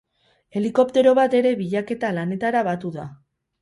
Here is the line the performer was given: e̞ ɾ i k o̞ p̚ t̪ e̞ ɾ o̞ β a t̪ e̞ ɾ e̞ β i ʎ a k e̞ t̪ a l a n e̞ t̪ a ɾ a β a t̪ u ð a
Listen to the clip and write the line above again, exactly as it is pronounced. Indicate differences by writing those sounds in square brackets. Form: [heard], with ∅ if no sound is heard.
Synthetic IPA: e̞ [l] i k o̞ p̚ t̪ e̞ ɾ o̞ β a t̪ e̞ ɾ e̞ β i ʎ a k e̞ t̪ a l a n e̞ t̪ a ɾ a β a t̪ u ð a